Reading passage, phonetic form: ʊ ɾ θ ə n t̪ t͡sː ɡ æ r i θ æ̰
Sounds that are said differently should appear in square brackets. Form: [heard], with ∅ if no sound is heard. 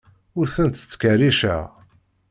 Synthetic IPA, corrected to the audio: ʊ ɾ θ ə n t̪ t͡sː [k] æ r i [ʃ] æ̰